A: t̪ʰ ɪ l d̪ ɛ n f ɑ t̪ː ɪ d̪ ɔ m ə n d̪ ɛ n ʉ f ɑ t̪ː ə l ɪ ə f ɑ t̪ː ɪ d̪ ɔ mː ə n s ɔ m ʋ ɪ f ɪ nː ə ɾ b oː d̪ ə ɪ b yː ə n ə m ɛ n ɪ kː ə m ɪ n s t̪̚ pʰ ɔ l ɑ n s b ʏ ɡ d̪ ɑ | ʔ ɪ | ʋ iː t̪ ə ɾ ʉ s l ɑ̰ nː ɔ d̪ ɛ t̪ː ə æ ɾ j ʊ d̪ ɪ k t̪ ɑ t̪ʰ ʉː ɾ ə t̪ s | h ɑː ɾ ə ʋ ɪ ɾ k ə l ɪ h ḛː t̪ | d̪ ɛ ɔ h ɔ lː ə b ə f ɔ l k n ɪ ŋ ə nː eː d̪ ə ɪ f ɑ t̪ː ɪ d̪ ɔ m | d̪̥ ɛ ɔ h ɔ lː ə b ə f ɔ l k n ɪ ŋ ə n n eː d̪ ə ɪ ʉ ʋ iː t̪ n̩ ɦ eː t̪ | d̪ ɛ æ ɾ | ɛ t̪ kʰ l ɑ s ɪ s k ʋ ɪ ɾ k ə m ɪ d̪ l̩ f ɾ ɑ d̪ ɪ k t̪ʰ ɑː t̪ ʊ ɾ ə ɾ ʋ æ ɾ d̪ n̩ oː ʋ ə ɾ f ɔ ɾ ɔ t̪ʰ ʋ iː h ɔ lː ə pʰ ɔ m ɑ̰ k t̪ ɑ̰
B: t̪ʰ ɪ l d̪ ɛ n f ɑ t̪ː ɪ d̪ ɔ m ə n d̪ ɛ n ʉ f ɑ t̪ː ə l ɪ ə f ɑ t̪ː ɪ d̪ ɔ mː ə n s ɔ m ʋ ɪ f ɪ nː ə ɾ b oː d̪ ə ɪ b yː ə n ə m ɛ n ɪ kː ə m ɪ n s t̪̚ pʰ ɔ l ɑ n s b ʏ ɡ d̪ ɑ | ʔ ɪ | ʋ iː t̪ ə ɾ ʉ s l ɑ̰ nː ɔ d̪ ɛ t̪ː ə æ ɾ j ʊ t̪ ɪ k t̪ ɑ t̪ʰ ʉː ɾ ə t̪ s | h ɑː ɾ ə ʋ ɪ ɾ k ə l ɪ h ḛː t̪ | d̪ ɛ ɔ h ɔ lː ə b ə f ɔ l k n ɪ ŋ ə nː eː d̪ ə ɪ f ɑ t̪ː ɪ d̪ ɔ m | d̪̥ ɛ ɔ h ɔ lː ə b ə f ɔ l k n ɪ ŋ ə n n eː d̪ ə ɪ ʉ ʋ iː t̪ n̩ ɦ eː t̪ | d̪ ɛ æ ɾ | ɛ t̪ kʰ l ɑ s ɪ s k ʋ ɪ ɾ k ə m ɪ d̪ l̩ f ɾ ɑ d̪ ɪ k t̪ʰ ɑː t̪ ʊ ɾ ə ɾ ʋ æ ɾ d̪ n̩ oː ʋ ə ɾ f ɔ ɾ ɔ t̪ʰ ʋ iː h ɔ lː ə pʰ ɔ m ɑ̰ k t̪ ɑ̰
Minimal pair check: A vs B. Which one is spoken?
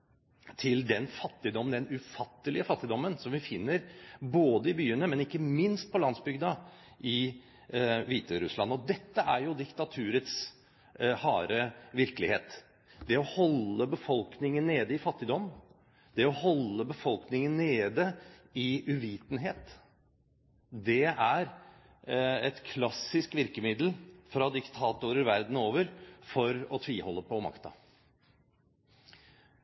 A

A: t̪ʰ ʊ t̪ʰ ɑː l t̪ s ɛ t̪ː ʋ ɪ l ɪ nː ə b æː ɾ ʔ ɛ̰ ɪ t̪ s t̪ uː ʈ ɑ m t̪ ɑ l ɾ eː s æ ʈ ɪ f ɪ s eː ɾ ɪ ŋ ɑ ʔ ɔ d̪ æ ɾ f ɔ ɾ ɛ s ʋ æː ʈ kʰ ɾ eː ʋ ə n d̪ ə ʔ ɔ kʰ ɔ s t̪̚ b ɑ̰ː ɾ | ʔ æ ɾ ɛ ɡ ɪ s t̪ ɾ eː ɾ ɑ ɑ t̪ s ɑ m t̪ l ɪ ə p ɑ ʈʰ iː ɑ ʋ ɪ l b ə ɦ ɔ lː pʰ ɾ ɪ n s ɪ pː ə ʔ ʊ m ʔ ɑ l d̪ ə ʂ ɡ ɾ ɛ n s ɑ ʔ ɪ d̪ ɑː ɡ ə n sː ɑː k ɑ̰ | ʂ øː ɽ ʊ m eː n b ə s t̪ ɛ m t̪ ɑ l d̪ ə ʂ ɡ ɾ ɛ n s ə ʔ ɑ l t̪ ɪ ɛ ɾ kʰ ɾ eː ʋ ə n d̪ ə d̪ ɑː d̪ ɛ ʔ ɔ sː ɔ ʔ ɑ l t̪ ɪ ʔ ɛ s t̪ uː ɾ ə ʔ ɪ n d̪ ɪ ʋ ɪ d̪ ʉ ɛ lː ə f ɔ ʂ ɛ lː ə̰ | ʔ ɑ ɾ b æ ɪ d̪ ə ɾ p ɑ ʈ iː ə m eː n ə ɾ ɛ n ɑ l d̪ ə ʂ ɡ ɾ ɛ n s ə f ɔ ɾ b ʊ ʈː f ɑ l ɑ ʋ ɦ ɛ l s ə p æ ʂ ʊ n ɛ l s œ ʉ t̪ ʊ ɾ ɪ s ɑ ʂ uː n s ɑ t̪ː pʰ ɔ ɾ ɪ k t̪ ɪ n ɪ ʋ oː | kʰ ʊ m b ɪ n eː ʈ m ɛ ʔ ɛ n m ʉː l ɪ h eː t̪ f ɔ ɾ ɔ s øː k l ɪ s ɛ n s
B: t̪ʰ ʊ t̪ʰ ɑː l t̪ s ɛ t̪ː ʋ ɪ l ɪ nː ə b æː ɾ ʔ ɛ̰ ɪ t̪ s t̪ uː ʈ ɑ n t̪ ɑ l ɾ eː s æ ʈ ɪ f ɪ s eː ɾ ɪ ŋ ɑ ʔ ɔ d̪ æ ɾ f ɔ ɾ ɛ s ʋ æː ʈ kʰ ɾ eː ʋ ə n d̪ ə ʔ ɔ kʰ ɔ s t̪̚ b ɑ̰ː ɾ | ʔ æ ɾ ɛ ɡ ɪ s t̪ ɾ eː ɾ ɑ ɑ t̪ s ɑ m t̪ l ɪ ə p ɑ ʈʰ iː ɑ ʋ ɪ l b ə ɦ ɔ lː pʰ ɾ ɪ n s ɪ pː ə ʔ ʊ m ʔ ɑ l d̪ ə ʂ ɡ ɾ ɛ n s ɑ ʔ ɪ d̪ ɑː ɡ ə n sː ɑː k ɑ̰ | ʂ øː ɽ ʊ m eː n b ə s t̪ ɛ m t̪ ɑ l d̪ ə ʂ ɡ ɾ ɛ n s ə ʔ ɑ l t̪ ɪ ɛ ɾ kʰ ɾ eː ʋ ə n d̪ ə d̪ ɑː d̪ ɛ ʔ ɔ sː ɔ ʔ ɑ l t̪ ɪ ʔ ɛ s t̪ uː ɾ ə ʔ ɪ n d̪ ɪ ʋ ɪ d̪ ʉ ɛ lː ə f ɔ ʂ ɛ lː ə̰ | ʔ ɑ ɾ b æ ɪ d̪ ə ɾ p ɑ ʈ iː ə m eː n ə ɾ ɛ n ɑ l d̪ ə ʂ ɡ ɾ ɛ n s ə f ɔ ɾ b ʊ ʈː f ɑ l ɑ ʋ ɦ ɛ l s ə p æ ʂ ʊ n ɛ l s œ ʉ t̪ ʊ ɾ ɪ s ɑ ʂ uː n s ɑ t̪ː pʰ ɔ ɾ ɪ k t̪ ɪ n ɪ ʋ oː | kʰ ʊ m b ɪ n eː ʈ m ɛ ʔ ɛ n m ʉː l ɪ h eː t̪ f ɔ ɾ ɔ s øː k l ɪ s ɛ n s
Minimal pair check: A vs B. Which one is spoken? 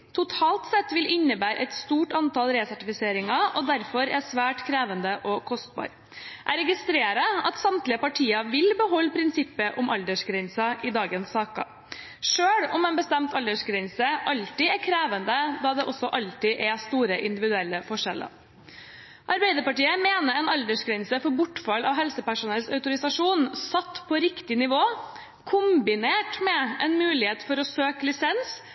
B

